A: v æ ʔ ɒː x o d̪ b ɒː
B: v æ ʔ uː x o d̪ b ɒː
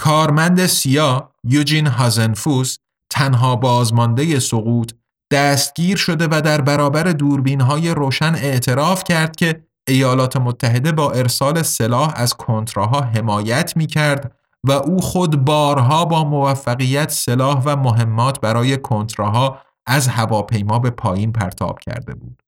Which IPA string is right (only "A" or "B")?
B